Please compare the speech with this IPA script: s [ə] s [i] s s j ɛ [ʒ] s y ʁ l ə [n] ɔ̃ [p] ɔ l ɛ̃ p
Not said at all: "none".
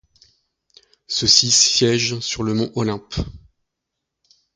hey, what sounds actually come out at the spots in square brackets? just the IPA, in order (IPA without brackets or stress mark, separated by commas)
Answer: ə, i, ʒ, m, ʔ